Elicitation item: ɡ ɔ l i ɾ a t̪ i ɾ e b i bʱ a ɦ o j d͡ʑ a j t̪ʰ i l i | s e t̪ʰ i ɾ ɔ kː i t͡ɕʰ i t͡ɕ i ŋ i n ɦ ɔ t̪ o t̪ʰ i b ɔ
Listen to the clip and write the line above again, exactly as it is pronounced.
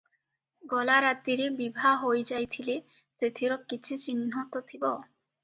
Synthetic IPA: ɡ ɔ l a ɾ a t̪ i ɾ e b i bʱ a ɦ o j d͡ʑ a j t̪ʰ i l e | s e t̪ʰ i ɾ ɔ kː i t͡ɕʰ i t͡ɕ i n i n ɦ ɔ t̪ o t̪ʰ i b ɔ